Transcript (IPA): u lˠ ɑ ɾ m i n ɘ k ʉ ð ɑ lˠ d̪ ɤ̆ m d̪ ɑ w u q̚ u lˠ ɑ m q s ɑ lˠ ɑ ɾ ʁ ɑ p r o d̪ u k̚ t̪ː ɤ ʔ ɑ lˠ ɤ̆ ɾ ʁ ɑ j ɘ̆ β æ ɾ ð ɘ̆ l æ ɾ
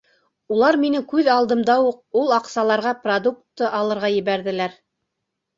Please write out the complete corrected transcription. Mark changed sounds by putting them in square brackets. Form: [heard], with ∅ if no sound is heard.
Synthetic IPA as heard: u lˠ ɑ ɾ m i n ɘ k ʉ ð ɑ lˠ d̪ ɤ̆ m d̪ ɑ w u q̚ u lˠ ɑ [∅] q s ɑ lˠ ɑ ɾ ʁ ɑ p r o d̪ u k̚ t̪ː ɤ ʔ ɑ lˠ ɤ̆ ɾ ʁ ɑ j ɘ̆ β æ ɾ ð ɘ̆ l æ ɾ